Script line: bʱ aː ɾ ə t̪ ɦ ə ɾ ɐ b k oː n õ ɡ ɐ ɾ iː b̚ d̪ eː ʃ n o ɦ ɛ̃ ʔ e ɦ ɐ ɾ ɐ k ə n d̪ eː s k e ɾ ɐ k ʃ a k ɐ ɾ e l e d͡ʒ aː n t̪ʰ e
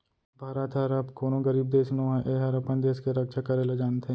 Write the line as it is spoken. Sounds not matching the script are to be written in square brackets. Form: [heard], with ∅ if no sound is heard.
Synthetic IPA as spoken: bʱ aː ɾ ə t̪ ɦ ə ɾ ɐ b k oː n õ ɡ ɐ ɾ iː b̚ d̪ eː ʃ n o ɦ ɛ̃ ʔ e ɦ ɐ ɾ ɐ [p] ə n d̪ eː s k e ɾ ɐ k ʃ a k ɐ ɾ e l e d͡ʒ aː n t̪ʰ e